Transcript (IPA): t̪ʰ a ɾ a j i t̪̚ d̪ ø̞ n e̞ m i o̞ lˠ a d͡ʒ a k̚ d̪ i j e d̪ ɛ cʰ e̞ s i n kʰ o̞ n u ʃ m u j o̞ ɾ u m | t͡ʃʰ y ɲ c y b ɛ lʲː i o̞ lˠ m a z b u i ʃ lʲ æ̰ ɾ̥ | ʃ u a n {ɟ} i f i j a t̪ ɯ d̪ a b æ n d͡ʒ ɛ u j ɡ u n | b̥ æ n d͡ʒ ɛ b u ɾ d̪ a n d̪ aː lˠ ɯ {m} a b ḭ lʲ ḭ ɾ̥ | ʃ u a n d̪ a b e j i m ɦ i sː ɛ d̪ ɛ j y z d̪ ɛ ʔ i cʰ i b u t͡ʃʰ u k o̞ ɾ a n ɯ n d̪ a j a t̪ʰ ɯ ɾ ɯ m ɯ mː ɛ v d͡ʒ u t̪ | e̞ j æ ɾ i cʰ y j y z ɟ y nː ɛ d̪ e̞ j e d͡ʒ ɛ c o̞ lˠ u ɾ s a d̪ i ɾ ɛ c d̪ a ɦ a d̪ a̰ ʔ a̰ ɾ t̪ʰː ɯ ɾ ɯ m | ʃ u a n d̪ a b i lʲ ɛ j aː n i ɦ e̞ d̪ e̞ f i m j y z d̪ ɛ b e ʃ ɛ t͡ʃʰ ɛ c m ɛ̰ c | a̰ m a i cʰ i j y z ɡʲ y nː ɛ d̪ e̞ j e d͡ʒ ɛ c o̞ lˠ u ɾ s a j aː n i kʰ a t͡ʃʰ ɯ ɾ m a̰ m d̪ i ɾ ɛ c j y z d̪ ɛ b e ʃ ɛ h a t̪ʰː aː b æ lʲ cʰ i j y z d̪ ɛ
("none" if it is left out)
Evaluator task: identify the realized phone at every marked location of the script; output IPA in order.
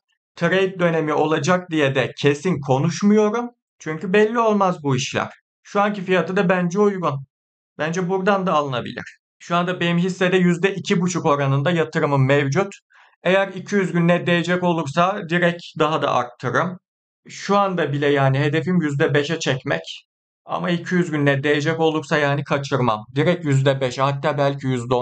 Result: c, n

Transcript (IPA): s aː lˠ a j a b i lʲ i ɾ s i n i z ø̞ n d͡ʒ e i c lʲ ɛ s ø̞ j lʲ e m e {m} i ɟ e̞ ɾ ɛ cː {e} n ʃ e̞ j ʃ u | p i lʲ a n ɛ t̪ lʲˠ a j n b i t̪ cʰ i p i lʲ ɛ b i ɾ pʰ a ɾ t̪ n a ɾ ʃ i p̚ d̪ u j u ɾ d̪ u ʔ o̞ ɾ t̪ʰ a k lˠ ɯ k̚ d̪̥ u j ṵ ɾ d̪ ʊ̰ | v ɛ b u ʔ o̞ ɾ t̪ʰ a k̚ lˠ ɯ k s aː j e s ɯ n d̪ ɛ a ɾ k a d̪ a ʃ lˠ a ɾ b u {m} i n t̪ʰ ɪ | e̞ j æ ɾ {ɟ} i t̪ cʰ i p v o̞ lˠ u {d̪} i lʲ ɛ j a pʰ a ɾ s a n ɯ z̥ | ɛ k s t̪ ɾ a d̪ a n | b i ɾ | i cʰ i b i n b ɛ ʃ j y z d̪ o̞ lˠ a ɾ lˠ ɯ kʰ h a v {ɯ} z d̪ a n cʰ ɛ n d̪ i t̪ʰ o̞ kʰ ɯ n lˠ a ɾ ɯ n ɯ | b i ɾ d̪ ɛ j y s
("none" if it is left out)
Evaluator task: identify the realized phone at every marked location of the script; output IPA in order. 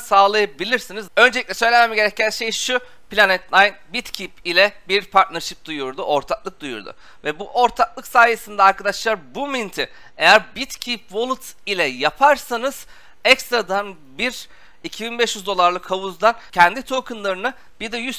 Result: m, æ, m, b, t̪, u

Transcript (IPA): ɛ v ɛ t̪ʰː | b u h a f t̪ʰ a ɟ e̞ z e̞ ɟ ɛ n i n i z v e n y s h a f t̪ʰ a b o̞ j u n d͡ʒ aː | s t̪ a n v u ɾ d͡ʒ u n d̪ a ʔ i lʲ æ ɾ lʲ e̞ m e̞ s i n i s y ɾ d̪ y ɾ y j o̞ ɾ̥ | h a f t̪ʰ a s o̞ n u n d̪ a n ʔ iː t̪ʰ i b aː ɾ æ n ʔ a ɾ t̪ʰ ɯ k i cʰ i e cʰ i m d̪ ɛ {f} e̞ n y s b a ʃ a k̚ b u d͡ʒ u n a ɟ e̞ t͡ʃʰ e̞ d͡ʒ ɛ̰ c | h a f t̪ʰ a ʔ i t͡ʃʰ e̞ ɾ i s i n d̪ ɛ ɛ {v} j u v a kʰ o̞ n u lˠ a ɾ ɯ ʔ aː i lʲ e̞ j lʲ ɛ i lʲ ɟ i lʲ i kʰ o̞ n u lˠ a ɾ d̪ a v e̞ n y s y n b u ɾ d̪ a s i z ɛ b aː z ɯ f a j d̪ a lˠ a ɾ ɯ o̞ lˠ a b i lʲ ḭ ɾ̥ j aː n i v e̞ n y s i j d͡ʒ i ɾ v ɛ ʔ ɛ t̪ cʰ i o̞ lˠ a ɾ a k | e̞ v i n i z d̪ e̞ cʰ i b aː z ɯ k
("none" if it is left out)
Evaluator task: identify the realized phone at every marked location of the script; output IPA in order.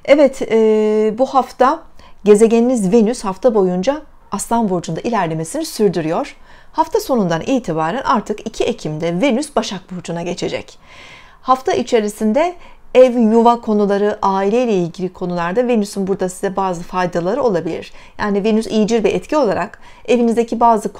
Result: v, v

